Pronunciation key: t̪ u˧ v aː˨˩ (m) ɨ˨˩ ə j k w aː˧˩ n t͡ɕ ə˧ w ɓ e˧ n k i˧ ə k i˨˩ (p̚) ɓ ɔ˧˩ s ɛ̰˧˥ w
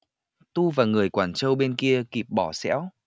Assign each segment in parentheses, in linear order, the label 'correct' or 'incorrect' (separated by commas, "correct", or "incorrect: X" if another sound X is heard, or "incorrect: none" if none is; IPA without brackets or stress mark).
incorrect: ŋ, correct